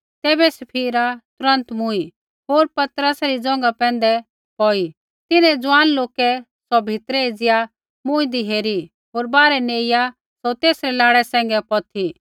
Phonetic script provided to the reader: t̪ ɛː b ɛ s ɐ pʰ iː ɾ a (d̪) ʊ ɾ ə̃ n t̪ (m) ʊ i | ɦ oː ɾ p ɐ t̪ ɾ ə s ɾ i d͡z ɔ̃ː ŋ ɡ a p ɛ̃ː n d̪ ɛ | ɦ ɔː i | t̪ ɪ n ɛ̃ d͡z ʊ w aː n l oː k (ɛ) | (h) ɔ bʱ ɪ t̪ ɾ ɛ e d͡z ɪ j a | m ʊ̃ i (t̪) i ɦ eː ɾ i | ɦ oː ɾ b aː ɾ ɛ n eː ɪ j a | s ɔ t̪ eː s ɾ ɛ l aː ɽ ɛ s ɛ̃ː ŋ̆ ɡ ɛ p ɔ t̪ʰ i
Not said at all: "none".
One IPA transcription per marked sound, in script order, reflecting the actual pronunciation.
t̪, m, ɛ, s, d̪

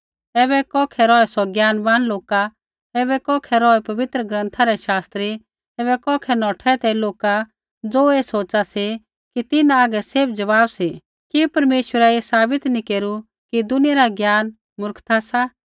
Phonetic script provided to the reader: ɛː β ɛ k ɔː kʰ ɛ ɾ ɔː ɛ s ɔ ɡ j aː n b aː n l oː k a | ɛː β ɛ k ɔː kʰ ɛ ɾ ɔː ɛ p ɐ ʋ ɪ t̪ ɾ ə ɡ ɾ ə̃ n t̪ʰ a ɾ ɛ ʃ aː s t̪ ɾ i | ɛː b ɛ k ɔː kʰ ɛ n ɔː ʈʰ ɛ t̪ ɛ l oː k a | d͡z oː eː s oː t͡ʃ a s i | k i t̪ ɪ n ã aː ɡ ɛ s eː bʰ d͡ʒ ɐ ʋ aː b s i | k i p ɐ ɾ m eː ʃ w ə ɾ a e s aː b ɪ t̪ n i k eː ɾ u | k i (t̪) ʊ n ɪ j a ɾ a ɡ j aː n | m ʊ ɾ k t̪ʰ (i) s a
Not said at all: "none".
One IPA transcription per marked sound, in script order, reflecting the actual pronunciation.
d̪, a

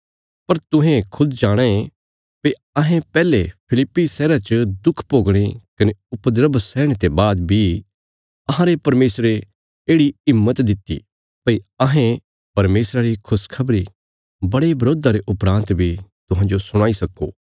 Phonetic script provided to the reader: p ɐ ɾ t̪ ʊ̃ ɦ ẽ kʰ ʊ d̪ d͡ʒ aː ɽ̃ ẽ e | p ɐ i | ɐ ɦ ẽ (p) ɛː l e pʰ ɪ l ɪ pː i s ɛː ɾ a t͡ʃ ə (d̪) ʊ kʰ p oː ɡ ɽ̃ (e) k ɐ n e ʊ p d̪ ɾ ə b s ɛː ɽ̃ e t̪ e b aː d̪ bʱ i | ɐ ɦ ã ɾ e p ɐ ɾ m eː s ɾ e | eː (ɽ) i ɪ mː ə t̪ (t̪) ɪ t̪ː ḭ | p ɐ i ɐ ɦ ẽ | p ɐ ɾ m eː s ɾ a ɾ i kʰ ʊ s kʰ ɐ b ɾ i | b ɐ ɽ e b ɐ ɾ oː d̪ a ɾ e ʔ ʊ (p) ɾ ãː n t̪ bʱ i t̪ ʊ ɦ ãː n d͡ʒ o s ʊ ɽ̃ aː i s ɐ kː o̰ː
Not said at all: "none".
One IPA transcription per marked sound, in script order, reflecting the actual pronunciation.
p, d̪, e, ɽ, d̪, p

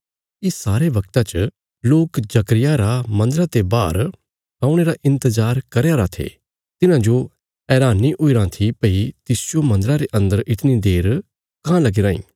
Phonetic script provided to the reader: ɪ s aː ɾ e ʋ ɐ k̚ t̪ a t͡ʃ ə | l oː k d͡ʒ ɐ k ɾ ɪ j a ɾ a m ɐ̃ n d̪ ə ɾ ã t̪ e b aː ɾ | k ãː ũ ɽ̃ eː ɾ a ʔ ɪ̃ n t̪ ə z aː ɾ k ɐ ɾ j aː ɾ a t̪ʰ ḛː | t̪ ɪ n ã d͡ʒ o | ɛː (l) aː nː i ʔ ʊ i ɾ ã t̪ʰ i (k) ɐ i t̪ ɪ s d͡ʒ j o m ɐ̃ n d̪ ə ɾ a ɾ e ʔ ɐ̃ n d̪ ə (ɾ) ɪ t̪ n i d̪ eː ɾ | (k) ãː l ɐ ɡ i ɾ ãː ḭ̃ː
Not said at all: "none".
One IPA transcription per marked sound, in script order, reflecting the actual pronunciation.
ɾ, p, ɾ, k

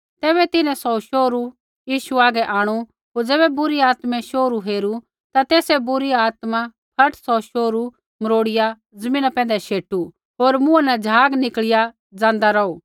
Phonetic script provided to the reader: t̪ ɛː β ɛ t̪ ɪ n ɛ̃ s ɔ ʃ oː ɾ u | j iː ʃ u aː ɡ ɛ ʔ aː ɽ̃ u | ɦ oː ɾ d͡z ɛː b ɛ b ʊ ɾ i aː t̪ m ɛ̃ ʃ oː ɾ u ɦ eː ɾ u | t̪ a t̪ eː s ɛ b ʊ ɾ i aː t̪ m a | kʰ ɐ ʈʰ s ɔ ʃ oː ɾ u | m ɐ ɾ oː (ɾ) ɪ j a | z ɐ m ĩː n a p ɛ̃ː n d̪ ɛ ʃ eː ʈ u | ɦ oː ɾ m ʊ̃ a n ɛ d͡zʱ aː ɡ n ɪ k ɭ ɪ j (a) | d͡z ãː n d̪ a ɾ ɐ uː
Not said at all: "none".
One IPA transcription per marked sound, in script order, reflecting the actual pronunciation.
ɽ, a

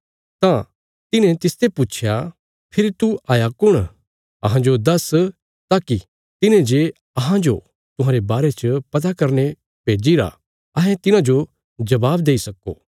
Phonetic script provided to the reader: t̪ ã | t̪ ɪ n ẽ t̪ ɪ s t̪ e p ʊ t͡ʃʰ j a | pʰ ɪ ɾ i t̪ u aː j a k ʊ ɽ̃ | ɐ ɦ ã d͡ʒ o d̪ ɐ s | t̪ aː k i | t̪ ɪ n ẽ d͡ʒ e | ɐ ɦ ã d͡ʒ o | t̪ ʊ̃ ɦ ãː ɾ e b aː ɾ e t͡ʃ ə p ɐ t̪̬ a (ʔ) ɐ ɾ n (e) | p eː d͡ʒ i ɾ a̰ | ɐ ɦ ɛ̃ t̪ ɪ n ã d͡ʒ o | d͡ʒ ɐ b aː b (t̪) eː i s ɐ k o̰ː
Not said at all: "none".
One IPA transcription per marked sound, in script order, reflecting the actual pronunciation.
k, e, d̪

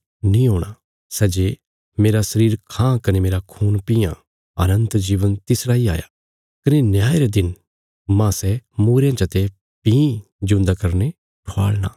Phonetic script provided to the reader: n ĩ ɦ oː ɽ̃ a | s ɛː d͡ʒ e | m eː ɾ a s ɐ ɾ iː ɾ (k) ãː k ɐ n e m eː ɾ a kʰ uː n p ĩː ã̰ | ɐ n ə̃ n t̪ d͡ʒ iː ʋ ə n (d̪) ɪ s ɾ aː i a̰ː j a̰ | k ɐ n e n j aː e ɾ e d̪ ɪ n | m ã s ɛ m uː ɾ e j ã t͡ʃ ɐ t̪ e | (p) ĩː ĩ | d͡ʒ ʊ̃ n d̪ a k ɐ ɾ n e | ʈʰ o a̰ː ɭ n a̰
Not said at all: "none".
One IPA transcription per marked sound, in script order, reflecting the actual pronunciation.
kʰ, t̪, p

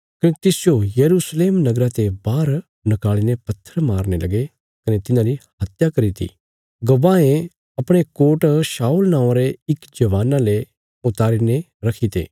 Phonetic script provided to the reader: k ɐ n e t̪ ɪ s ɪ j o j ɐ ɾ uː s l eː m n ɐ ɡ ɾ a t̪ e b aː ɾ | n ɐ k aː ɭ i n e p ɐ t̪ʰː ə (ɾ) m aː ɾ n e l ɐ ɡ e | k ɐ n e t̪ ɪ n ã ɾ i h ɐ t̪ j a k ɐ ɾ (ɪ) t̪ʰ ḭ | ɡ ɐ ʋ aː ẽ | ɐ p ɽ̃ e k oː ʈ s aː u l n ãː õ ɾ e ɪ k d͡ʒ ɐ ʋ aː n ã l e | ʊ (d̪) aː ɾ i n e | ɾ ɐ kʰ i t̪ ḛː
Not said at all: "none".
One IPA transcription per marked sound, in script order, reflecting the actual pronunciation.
ɾ, i, t̪

